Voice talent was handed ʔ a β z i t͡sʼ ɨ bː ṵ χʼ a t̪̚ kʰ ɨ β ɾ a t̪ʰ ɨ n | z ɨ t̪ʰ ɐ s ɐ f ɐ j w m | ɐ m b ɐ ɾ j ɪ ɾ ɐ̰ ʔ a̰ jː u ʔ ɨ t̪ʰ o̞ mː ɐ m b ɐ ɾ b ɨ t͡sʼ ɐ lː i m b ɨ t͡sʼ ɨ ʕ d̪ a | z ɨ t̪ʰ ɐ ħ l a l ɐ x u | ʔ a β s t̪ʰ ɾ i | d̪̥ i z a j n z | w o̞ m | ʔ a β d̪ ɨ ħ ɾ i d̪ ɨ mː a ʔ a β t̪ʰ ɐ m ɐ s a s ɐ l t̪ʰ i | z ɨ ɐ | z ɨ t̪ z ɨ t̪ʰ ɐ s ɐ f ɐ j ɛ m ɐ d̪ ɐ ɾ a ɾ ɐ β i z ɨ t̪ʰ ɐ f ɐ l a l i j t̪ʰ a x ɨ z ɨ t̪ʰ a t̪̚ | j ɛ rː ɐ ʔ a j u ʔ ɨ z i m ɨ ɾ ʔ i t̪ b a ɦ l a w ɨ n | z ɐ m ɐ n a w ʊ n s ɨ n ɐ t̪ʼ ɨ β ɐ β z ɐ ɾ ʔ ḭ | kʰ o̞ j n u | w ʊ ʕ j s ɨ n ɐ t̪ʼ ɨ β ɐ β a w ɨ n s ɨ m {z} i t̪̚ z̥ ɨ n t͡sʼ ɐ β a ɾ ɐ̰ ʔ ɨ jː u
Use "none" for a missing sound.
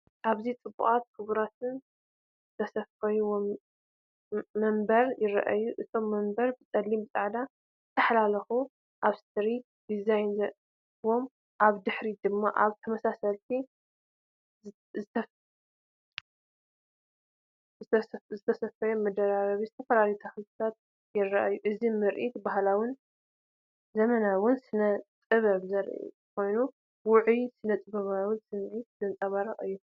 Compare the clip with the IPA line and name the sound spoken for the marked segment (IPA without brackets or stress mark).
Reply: ʕ